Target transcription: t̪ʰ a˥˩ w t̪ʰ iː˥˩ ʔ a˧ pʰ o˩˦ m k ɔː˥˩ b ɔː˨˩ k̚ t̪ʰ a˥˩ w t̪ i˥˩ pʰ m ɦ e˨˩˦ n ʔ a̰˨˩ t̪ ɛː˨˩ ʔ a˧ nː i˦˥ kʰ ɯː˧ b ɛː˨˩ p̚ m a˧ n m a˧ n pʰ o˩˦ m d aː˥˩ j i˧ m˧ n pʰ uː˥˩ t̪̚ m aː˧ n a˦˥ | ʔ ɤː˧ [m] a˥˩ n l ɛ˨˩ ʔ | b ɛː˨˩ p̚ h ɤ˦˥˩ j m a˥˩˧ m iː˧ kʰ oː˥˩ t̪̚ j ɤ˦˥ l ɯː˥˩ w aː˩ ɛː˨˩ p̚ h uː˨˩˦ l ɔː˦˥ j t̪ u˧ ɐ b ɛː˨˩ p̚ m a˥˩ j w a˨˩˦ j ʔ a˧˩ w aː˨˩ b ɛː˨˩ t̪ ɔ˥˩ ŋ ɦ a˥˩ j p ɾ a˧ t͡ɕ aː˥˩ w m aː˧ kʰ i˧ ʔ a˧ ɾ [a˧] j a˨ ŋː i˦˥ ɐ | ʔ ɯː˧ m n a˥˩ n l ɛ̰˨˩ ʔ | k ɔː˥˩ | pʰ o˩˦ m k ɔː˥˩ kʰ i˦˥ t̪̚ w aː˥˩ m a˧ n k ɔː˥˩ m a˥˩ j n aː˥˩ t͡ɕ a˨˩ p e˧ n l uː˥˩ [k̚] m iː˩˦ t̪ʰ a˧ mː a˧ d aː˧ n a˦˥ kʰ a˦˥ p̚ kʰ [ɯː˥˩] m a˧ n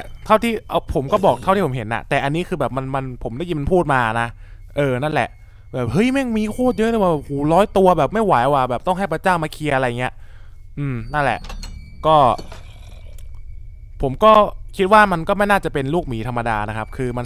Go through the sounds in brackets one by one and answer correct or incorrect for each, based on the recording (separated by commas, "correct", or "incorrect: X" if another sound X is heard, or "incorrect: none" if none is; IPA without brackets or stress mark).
incorrect: n, correct, correct, incorrect: ɯː˧